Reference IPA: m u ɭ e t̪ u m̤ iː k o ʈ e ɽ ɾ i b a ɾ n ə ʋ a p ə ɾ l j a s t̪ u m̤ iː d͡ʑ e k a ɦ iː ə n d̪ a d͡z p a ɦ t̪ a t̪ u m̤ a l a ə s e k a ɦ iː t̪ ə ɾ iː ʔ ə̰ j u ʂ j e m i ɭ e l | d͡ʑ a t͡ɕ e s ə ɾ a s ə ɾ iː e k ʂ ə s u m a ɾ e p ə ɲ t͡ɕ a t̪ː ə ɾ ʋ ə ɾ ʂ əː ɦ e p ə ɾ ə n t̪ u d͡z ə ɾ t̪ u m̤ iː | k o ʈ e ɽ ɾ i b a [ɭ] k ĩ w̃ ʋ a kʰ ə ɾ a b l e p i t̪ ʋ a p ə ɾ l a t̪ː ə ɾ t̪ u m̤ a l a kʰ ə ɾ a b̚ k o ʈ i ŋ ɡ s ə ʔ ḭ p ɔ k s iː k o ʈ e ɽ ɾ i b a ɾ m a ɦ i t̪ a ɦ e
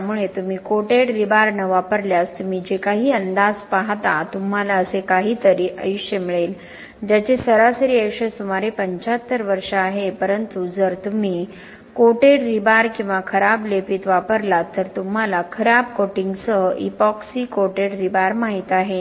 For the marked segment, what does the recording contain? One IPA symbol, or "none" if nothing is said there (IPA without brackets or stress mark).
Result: ɾ